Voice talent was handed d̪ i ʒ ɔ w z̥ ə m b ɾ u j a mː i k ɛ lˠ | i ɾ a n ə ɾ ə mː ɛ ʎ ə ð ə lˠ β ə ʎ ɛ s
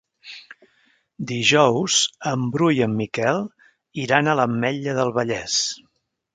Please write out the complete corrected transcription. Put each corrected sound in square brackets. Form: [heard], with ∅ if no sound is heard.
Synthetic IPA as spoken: d̪ i ʒ ɔ w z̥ ə m b ɾ u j [ə] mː i k ɛ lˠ | i ɾ a n ə [l] ə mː ɛ ʎ ə ð ə lˠ β ə ʎ ɛ s